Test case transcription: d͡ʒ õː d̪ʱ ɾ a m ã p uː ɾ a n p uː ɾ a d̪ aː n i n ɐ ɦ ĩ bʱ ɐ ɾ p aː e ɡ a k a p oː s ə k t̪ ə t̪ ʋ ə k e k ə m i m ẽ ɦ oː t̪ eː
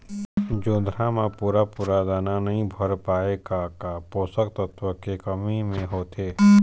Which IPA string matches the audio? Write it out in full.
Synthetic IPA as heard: d͡ʒ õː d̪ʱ ɾ a m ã p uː ɾ a p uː ɾ a d̪ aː n a n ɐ ɦ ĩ bʱ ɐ ɾ p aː e ɡ a k a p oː s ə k t̪ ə t̪ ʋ ə k e k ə m i m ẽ ɦ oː t̪ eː